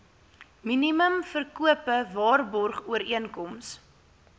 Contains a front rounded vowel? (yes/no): no